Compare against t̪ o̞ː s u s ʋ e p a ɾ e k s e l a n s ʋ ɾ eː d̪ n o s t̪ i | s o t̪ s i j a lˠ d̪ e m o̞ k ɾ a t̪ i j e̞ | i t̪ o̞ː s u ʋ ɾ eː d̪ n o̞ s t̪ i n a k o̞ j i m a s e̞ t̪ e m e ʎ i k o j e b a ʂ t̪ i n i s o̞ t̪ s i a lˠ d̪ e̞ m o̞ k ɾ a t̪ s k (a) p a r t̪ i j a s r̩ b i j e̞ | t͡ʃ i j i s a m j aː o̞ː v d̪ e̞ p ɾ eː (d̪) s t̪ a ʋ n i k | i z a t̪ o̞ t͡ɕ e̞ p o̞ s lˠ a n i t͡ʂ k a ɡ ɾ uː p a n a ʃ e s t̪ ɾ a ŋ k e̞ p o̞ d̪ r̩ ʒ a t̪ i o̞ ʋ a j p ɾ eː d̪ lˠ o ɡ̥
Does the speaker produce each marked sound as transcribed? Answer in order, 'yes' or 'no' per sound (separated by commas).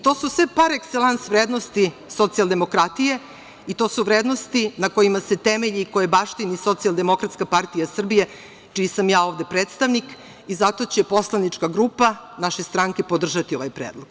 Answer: yes, no